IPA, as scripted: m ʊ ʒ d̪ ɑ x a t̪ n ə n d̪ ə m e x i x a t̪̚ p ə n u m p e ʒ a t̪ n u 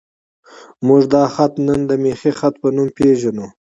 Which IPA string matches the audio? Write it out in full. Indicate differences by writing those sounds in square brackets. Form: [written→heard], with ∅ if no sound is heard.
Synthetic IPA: m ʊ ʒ d̪ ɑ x a t̪ n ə n d̪ ə m e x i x a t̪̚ p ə n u m p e ʒ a [t̪→∅] n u